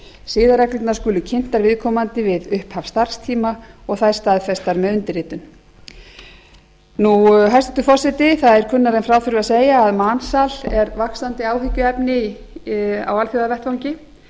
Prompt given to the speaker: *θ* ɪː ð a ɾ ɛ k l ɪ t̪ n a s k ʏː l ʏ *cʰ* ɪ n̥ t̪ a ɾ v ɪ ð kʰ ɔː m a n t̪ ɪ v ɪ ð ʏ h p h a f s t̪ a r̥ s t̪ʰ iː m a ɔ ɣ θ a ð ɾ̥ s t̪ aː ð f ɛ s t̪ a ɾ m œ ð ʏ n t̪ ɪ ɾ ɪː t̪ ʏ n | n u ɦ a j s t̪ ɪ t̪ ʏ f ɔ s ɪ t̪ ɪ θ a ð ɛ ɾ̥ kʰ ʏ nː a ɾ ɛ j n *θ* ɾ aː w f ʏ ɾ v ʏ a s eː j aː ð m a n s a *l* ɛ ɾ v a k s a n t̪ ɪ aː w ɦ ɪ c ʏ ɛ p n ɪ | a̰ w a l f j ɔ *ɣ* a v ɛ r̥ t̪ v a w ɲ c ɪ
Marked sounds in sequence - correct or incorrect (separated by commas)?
incorrect, correct, incorrect, correct, incorrect